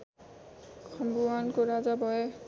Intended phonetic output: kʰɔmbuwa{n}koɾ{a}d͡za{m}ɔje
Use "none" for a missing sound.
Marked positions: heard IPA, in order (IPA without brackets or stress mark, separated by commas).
n, a, b